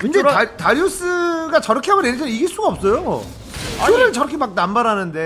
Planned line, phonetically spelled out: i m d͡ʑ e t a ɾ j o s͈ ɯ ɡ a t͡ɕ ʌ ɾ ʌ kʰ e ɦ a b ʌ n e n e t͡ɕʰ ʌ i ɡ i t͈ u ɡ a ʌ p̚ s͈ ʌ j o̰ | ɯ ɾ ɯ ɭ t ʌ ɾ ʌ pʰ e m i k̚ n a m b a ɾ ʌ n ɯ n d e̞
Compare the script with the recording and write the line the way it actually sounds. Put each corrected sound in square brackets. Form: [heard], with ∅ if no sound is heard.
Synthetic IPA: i [n] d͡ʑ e t a ɾ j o s͈ ɯ ɡ a t͡ɕ ʌ ɾ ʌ kʰ e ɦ a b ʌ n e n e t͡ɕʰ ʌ i ɡ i [s͈] u ɡ a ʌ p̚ s͈ ʌ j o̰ | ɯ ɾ ɯ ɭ [t͡ɕ] ʌ ɾ ʌ [kʰ] e m [a] k̚ n a m b a ɾ [a] n ɯ n d e̞